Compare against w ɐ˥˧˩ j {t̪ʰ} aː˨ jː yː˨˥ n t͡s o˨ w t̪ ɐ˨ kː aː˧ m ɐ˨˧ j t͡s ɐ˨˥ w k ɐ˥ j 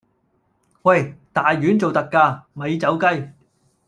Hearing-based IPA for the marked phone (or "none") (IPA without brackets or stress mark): t̪